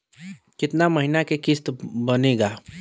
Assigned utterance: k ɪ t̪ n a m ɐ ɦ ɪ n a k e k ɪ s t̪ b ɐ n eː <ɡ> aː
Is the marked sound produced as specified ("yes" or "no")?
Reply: yes